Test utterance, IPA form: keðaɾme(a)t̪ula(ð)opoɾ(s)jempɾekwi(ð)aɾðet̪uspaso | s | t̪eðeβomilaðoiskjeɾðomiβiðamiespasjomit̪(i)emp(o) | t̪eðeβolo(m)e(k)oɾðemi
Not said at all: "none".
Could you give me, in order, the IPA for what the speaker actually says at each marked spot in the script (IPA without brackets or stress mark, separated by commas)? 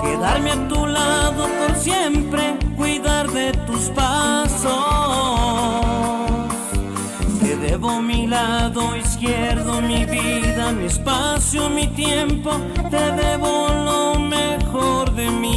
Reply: a, ð, s, ð, j, o, m, x